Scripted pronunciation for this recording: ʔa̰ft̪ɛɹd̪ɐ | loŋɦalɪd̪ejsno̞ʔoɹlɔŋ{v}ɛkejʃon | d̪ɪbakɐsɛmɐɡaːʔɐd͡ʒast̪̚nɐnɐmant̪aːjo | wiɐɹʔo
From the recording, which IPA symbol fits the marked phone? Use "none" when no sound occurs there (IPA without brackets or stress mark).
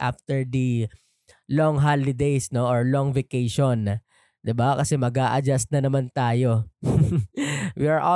v